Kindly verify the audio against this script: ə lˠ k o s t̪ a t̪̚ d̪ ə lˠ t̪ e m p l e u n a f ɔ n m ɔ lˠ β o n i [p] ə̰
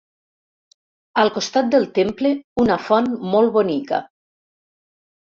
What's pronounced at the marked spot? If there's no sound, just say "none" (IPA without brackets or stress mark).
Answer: k